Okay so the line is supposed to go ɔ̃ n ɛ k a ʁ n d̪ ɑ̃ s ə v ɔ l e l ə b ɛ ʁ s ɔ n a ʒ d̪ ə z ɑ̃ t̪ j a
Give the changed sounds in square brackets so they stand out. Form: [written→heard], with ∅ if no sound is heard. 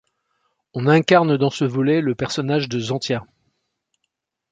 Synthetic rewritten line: ɔ̃ n [ɛ→ɛ̃] k a ʁ n d̪ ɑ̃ s ə v ɔ l [e→ɛ] l ə [b→p] ɛ ʁ s ɔ n a ʒ d̪ ə z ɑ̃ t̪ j a